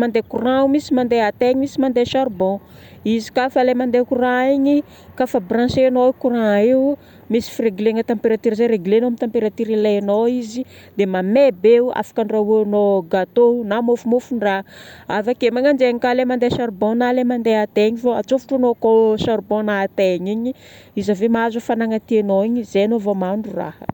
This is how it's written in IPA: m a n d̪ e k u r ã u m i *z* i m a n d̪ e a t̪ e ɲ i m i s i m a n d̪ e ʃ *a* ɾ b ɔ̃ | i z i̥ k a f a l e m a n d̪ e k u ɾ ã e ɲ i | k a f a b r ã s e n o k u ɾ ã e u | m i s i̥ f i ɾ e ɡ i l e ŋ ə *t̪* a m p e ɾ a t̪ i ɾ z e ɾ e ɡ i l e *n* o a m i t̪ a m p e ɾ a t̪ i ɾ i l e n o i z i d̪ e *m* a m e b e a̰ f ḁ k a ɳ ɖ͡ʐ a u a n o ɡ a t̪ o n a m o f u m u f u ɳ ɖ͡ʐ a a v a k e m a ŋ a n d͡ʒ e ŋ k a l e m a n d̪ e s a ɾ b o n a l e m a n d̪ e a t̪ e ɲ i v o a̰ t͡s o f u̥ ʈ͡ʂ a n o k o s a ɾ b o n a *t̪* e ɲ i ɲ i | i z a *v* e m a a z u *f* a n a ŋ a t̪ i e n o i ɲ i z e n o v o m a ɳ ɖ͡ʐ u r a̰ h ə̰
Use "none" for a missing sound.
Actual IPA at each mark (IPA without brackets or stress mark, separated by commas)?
s, a, t̪, n, m, t̪, v, f